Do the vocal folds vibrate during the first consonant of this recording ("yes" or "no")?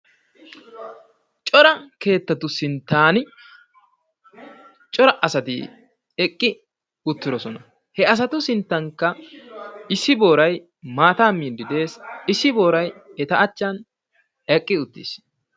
no